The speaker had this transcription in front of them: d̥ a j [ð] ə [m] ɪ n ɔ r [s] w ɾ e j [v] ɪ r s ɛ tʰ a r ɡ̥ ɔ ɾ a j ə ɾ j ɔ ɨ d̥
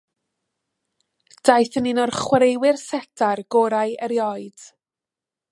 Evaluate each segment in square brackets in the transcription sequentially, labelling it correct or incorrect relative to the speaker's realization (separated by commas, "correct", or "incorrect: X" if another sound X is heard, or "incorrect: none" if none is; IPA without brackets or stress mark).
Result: incorrect: θ, incorrect: n, incorrect: χ, incorrect: w